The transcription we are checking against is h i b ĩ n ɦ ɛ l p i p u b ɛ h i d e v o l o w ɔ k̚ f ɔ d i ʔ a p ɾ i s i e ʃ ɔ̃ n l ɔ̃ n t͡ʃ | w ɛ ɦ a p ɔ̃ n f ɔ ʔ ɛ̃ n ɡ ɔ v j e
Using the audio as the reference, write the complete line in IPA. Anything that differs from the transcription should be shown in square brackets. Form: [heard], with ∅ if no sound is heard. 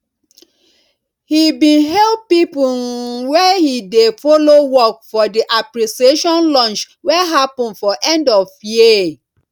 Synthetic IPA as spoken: h i b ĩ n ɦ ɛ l p i p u [w] ɛ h i d e [f] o l o w ɔ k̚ f ɔ d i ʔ a p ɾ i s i e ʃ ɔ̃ n l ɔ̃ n t͡ʃ | w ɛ ɦ a p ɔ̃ n f ɔ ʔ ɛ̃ n [d] ɔ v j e